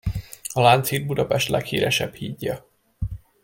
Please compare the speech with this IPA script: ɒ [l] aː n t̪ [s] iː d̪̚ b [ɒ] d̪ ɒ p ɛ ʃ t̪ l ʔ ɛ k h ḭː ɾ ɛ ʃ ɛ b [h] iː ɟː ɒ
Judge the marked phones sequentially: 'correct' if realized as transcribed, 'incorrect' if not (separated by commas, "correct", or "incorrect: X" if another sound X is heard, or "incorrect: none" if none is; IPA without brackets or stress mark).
correct, correct, incorrect: u, correct